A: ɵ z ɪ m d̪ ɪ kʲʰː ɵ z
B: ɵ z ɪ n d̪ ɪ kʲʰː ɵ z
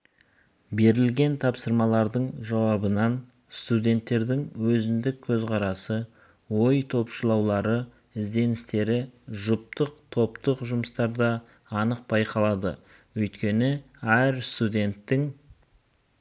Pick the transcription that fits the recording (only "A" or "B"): B